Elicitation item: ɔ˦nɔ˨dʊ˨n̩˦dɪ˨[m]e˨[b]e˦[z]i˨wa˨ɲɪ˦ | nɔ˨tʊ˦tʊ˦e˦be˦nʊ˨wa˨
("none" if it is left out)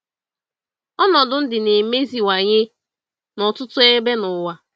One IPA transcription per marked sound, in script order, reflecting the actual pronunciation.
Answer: n, m, z

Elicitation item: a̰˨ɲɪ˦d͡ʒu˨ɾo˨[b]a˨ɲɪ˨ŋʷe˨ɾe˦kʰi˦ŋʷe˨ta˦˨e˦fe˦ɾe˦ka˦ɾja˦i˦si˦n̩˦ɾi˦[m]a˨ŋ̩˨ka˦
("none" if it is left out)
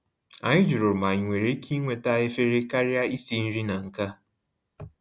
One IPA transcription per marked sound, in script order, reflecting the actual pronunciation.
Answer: m, n

